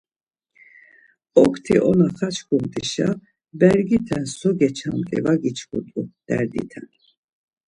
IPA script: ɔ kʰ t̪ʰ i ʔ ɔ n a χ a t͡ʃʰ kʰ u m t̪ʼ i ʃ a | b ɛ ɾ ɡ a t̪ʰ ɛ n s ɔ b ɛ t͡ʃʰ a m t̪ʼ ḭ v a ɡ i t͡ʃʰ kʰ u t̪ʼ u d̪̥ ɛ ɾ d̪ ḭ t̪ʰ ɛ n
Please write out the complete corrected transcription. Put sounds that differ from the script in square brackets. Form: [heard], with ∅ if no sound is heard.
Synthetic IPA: ɔ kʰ t̪ʰ i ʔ ɔ n a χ a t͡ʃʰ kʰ u m t̪ʼ i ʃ a | b ɛ ɾ ɡ [i] t̪ʰ ɛ n s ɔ [ɡ] ɛ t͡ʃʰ a m t̪ʼ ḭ v a ɡ i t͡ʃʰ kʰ u t̪ʼ u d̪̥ ɛ ɾ d̪ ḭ t̪ʰ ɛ n